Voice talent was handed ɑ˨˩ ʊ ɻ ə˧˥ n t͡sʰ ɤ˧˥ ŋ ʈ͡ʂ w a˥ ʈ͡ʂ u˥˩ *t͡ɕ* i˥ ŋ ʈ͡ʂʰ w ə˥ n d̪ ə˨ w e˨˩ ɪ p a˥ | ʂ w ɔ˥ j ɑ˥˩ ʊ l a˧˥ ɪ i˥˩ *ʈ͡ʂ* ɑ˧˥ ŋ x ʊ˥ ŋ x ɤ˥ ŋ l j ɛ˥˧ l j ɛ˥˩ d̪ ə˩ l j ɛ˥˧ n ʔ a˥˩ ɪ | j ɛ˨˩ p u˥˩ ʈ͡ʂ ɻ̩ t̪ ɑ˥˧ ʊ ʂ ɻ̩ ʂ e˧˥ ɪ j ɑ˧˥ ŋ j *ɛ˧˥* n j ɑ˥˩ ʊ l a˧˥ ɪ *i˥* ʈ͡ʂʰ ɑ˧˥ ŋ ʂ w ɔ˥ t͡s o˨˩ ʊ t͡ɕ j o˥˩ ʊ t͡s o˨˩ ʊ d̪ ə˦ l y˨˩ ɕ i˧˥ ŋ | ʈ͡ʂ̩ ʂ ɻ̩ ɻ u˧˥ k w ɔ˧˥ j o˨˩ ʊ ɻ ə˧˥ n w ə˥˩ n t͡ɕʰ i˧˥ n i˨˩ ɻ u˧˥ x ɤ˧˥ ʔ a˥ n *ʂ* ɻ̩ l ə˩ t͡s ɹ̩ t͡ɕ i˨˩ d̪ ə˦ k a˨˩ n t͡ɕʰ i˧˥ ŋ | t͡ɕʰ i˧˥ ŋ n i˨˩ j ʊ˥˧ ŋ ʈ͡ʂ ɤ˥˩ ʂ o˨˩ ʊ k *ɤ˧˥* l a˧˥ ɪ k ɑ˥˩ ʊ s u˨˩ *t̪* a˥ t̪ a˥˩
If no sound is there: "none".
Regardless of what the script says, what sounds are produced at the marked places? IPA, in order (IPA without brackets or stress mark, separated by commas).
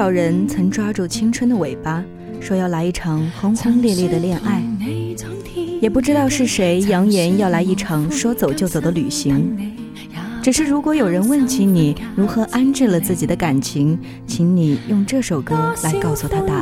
t͡ɕʰ, ʈ͡ʂʰ, ɛ˧˥, i˥˩, ʈ͡ʂ, ɤ˥, t̪ʰ